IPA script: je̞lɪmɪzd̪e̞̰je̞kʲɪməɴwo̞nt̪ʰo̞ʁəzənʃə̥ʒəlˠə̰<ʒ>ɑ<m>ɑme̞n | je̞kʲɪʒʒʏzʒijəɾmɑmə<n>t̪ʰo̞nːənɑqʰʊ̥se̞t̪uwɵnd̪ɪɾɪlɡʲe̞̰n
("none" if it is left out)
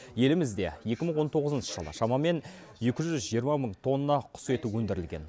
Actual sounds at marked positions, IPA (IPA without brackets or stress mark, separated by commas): ʃ, m, ɴ